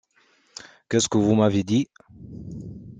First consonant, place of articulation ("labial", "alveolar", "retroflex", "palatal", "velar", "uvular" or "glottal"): velar